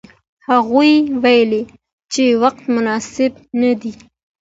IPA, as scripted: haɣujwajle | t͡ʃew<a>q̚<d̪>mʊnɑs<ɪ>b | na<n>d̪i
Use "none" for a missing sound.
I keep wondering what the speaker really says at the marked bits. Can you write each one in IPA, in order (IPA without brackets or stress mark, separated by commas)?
a, t̪, ɪ, none